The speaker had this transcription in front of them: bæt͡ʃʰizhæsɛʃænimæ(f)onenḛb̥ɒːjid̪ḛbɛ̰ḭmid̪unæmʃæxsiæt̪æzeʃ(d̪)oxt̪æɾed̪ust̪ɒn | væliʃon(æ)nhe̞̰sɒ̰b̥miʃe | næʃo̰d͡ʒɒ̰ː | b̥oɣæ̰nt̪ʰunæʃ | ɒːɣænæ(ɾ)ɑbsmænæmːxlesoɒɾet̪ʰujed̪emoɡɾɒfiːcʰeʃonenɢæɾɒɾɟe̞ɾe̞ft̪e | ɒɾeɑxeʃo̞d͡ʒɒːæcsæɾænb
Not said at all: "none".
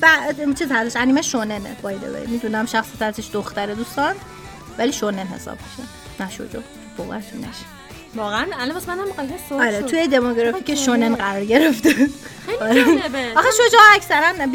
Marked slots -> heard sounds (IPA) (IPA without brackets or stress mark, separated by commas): ʃ, d̪, e, l